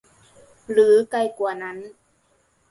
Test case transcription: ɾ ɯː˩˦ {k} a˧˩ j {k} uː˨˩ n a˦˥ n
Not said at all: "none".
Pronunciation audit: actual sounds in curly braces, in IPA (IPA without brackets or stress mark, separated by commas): k, k